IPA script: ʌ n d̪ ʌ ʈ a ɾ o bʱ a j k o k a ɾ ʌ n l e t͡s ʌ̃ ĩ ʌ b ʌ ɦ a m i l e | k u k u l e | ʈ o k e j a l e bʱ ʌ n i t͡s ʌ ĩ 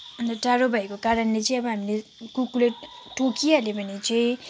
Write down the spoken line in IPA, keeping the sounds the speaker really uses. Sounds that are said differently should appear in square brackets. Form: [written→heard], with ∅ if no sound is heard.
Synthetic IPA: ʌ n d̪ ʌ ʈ a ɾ o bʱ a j k o k a ɾ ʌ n l e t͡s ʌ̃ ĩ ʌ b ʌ ɦ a m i l e | k u k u l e | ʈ o k [e→i] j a l e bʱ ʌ n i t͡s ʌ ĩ